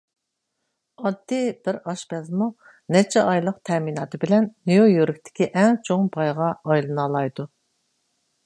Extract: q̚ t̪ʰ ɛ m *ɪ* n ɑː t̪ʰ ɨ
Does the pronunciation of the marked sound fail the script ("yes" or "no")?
yes